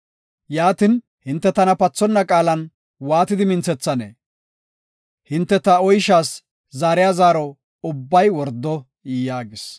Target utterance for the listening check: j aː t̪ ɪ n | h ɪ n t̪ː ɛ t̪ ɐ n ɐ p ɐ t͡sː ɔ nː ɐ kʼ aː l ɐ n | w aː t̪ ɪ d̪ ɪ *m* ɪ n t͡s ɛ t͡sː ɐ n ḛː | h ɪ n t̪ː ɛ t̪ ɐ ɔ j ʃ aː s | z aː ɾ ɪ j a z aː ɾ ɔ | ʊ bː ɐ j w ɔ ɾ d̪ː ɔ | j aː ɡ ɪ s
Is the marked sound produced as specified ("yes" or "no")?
yes